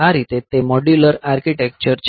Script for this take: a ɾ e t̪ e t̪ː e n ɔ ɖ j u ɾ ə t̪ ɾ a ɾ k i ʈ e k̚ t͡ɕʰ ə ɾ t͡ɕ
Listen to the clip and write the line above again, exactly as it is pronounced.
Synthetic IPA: a ɾ i t̪ e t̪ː e m ɔ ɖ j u l ə ɾ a ɾ k i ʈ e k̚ t͡ɕ ə ɾ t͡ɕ

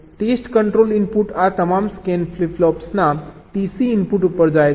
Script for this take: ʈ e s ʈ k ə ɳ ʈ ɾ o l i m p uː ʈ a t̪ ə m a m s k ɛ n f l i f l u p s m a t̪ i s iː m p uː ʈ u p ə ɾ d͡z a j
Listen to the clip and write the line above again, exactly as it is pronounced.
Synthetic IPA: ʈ e s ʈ k ə ɳ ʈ ɾ o l i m p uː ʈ a t̪ ə m a m s k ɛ n f l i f l ɔ p s n a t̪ i s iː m p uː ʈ u p ə ɾ d͡z a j

